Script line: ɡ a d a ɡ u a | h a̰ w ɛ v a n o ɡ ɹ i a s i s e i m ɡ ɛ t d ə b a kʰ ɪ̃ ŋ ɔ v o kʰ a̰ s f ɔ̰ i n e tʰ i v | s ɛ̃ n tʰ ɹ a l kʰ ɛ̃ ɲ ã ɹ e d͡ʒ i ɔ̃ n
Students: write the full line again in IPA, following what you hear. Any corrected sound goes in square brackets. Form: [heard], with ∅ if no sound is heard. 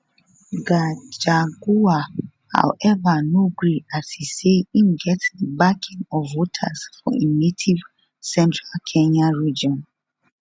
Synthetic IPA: ɡ a [d͡ʒ] a ɡ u a | h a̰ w ɛ v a n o ɡ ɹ i a s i s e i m ɡ ɛ t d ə b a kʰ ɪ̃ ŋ ɔ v o [tʰ] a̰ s f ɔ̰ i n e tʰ i v | s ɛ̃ n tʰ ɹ a l kʰ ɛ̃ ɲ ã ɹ [i] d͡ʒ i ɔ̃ n